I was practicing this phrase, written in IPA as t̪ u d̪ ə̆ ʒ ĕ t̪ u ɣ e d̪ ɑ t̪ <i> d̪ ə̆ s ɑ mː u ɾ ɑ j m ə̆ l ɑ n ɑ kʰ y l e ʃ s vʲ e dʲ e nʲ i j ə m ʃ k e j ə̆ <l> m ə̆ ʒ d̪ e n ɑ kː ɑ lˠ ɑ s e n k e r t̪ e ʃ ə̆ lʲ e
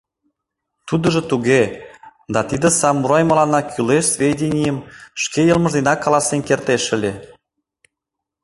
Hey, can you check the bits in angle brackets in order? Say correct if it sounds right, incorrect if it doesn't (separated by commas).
correct, correct